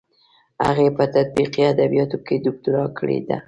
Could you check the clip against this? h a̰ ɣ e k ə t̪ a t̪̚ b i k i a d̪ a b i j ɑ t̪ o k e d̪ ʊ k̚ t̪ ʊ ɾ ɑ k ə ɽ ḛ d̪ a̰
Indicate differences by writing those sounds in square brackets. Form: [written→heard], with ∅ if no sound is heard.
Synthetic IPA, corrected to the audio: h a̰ ɣ e [k→p] ə t̪ a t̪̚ b i [k→q] i a d̪ a b i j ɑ t̪ o k e d̪ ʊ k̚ t̪ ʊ ɾ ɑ k ə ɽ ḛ d̪ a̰